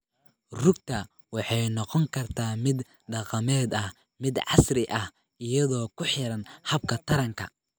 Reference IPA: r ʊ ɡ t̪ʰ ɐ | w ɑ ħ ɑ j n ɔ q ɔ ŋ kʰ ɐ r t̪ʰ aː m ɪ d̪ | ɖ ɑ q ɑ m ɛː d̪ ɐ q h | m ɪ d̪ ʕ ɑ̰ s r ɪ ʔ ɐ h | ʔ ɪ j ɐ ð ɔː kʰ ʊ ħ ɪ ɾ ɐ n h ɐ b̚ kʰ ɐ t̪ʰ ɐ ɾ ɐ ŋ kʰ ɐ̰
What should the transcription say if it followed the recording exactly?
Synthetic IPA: r ʊ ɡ t̪ʰ ɐ | w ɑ ħ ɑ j n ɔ q ɔ ŋ kʰ ɐ r t̪ʰ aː m ɪ d̪ | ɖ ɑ q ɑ m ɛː d̪ ɐ h | m ɪ d̪ ʕ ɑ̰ s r ɪ ʔ ɐ h | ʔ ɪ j ɐ ð ɔː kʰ ʊ ħ ɪ ɾ ɐ n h ɐ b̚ kʰ ɐ t̪ʰ ɐ ɾ ɐ ŋ kʰ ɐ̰